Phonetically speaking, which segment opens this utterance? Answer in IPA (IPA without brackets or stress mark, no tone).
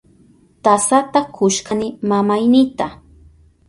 t̪